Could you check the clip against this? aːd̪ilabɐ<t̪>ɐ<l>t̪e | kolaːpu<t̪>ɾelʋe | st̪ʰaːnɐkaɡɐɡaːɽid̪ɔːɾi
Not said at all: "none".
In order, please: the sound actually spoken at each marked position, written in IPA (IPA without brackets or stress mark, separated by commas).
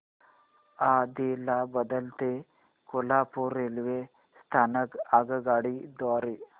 d̪, l, none